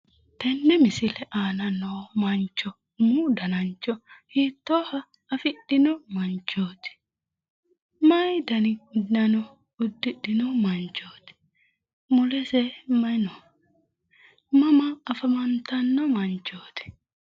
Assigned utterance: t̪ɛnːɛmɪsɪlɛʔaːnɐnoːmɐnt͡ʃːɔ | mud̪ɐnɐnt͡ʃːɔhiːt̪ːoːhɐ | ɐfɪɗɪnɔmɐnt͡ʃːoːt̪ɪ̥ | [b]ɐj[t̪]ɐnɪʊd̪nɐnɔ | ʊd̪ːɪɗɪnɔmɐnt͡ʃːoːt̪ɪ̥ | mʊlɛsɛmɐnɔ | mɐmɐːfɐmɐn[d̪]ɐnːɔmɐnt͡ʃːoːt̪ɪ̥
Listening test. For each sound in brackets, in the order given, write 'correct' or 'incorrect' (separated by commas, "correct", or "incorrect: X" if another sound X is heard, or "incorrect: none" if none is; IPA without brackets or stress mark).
incorrect: m, incorrect: d̪, incorrect: t̪